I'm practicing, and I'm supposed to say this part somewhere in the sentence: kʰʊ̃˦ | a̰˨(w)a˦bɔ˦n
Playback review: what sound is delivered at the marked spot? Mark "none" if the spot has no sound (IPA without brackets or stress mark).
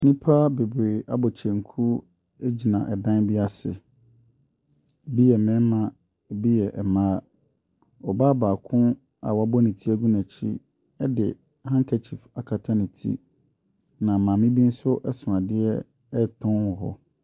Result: w